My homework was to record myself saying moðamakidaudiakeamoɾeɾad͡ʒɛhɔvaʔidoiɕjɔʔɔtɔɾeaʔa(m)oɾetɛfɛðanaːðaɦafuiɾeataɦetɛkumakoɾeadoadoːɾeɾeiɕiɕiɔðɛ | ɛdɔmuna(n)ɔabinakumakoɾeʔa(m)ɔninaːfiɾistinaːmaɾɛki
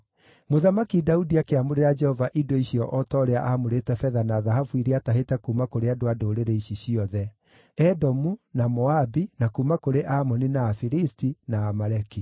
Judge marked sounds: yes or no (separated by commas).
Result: yes, no, yes